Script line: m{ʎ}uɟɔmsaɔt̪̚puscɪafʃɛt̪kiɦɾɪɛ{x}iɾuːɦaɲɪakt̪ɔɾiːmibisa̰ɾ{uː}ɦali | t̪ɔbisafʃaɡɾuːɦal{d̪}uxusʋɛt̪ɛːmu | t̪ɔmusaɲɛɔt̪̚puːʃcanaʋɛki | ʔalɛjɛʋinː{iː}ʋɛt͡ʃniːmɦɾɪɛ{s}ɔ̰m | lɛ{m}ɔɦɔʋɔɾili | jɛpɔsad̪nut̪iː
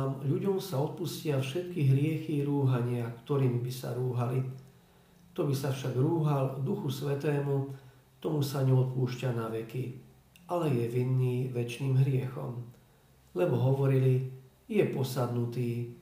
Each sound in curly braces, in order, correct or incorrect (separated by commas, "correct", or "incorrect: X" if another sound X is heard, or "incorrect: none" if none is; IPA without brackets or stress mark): correct, correct, correct, correct, correct, incorrect: x, incorrect: b